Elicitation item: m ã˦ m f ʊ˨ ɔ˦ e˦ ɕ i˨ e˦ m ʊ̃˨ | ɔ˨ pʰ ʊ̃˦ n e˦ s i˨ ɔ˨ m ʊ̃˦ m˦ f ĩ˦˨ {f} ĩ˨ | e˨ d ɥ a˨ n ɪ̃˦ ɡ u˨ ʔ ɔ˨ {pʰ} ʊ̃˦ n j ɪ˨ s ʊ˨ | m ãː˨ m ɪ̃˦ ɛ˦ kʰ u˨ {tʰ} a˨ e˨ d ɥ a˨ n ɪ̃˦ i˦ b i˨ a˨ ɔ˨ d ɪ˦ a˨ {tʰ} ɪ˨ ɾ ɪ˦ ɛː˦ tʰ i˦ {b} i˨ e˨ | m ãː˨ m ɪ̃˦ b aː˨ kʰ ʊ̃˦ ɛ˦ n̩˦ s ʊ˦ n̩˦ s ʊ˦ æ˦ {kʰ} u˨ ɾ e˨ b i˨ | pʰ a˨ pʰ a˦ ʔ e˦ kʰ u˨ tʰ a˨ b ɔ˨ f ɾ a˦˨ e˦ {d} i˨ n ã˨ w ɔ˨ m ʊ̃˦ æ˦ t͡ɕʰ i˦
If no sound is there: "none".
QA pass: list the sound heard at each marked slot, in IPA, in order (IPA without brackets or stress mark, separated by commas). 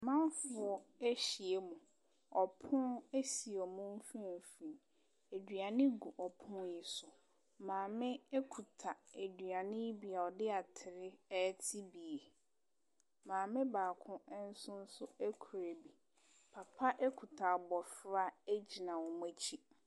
f, pʰ, tʰ, tʰ, b, kʰ, d͡ʑ